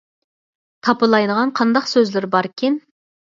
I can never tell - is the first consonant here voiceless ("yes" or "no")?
yes